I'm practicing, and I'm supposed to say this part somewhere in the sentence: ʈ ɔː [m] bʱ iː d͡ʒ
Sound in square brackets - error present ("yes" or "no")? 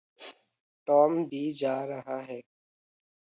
no